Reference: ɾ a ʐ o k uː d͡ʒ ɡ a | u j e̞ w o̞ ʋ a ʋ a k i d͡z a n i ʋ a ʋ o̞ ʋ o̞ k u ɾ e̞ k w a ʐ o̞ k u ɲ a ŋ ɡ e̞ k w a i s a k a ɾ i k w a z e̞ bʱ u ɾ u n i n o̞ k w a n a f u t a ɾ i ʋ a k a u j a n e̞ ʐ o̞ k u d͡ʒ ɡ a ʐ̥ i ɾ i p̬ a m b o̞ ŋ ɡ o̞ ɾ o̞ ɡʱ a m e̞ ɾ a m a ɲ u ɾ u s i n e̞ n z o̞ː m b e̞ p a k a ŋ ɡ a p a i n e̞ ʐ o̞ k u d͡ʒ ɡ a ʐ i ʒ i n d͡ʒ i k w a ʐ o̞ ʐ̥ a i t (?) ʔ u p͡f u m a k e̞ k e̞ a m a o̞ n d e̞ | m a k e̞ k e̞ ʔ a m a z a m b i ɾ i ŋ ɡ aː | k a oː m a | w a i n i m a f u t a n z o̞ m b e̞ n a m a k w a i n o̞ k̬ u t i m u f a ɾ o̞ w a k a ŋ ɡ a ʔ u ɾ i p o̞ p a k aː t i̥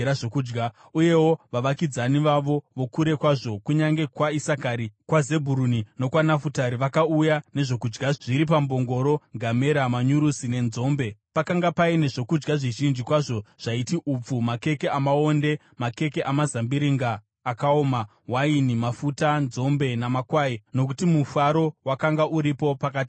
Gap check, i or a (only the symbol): i